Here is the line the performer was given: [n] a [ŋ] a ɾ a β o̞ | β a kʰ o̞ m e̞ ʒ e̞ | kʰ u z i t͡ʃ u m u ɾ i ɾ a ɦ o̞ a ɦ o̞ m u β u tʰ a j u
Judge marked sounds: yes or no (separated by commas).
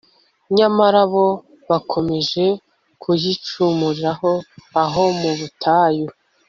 no, no